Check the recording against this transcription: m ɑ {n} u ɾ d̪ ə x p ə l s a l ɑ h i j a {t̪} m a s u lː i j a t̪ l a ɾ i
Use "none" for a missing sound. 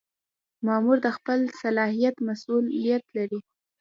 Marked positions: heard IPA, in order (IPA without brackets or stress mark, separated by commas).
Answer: m, t̪